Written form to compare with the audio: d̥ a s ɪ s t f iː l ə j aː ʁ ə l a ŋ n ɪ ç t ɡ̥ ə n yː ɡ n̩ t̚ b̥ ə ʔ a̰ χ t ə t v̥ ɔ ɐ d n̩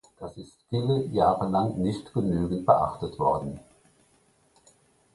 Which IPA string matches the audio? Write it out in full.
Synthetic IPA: d̥ a s ɪ s t f iː l ə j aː ʁ ə l a ŋ n ɪ ç t ɡ̥ ə n yː ɡ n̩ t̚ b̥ ə ʔ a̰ χ t ə t v̥ ɔ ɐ d n̩